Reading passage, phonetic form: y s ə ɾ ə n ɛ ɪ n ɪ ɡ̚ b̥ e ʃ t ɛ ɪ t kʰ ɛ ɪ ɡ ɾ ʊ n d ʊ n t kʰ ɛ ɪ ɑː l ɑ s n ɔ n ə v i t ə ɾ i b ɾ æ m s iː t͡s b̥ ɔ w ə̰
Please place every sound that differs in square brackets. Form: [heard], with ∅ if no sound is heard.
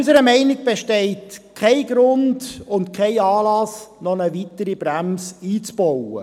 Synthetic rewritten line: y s ə ɾ ə [m] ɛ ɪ n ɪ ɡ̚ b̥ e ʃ t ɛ ɪ t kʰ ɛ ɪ ɡ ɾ ʊ n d ʊ n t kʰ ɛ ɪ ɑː l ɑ s n ɔ n ə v i t ə ɾ i b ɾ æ m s iː t͡s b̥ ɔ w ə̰